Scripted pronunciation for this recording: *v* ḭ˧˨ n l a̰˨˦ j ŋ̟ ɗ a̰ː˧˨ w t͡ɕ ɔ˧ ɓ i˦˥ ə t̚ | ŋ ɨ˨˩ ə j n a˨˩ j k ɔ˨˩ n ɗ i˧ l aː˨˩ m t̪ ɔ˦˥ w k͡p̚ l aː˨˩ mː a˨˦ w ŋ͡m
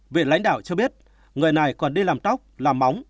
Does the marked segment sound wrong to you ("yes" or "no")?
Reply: no